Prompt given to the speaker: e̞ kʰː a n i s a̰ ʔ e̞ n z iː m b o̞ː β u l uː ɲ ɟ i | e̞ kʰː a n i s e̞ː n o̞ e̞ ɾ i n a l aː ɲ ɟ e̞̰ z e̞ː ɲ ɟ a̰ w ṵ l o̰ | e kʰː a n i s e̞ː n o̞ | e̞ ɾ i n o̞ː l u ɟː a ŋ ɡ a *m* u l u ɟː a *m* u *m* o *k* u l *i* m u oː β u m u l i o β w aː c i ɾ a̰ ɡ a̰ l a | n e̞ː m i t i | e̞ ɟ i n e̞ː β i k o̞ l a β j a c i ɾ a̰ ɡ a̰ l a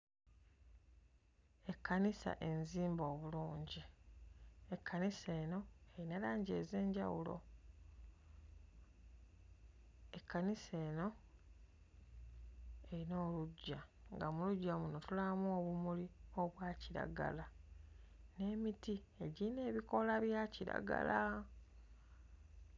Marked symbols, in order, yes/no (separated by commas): yes, yes, no, no, no